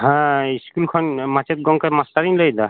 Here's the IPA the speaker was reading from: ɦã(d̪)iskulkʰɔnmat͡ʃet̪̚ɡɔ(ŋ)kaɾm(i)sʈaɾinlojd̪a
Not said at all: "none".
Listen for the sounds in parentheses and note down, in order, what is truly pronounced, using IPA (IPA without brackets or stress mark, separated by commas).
none, ŋ, a